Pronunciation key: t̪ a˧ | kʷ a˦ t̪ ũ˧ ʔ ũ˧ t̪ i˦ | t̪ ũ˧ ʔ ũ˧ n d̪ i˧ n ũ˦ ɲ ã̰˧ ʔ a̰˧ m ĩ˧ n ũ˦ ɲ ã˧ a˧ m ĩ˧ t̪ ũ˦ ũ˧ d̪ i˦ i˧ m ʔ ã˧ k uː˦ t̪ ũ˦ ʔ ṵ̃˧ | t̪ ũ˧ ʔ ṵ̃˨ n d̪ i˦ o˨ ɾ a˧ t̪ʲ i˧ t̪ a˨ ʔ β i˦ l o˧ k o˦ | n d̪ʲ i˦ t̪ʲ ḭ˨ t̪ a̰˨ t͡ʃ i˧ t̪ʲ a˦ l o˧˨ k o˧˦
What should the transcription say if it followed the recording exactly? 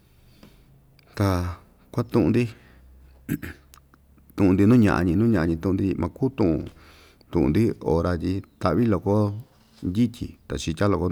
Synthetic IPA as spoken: t̪ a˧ | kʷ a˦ t̪ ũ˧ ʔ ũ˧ d̪ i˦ | t̪ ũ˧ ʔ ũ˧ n d̪ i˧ n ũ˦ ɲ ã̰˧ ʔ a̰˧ ɲ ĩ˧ n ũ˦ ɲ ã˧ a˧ ɲ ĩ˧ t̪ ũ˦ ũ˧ d̪ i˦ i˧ m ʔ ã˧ k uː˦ t̪ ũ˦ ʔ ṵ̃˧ | t̪ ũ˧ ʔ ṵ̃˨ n d̪ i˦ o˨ ɾ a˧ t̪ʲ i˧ t̪ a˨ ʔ β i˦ l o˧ k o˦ | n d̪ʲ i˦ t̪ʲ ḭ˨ t̪ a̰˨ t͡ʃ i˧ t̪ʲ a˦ l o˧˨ k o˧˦